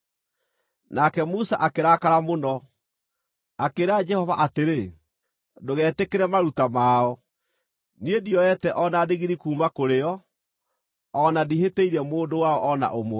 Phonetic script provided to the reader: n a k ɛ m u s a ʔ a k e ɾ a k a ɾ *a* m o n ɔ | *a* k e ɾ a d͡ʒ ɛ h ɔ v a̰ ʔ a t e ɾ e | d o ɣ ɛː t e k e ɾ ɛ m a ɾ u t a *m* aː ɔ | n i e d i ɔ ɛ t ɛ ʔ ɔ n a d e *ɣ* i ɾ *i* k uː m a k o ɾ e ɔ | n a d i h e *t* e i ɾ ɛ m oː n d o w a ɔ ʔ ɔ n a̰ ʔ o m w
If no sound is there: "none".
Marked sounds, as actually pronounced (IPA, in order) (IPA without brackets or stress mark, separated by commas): a, a, m, ɣ, i, t